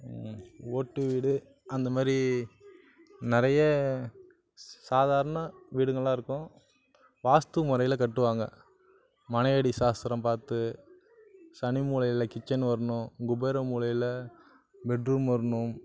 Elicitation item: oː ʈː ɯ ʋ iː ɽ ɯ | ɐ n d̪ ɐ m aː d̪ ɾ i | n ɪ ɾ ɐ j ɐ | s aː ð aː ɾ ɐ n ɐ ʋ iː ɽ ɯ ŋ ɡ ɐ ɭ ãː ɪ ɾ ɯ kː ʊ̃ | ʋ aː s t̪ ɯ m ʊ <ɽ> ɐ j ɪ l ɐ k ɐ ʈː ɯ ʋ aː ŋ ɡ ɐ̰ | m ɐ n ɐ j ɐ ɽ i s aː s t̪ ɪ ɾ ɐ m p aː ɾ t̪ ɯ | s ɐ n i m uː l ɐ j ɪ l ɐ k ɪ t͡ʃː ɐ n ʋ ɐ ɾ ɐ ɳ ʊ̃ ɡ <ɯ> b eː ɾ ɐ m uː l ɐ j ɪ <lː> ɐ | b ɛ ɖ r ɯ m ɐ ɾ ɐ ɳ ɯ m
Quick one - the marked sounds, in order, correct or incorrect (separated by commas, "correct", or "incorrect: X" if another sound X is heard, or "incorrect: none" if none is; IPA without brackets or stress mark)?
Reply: incorrect: ɾ, incorrect: ʊ, incorrect: l